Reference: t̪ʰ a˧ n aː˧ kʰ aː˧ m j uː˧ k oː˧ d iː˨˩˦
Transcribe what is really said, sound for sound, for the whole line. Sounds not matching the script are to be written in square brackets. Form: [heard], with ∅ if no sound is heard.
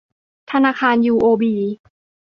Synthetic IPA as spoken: t̪ʰ a˧ n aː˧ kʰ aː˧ [n] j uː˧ [ʔ] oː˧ [b] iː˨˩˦